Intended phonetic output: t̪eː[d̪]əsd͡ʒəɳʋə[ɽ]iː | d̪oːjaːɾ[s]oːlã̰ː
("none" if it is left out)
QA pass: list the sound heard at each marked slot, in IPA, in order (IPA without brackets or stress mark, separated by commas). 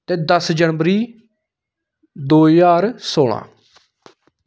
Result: d̪, ɾ, s